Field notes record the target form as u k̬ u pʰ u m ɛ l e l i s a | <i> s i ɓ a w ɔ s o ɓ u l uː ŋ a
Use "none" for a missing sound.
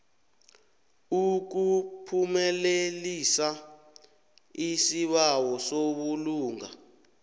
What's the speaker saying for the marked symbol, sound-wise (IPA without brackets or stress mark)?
i